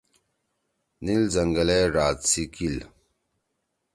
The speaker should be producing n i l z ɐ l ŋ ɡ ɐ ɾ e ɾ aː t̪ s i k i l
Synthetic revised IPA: n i l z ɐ ŋ ɡ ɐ l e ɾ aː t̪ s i k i l